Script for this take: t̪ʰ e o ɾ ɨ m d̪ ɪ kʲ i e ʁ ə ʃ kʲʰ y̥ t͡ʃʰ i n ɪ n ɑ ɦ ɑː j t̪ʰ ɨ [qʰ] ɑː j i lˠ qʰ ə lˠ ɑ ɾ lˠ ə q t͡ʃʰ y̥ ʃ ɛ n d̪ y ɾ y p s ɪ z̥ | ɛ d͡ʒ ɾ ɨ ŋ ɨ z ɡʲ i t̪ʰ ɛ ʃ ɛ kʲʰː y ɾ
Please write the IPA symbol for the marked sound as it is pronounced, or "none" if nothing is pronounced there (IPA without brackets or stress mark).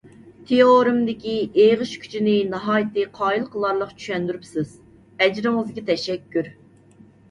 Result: qʰ